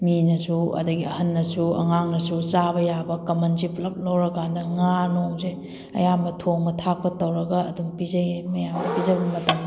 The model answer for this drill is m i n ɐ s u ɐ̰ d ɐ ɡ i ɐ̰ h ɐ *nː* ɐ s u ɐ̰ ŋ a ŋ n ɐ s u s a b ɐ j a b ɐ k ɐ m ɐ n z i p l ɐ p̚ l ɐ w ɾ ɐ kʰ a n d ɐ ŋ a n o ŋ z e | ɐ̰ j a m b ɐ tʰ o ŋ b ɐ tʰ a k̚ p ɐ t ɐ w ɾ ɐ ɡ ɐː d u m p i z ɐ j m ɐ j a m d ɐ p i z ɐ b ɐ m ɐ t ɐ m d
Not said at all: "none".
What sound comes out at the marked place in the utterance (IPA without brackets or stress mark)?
nː